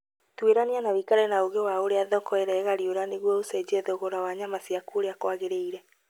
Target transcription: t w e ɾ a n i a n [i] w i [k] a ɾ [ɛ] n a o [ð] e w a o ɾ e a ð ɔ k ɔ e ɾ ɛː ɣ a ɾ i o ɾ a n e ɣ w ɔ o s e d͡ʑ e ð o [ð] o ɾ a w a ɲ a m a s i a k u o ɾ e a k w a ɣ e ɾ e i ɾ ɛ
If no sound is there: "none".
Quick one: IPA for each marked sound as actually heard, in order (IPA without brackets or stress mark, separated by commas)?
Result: a, k, ɛ, ɣ, ɣ